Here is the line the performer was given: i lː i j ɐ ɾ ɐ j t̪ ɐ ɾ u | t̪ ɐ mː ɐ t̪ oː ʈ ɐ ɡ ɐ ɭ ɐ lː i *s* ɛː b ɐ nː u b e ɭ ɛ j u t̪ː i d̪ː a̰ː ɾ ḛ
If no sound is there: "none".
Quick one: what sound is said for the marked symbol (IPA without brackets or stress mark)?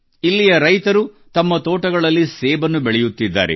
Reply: s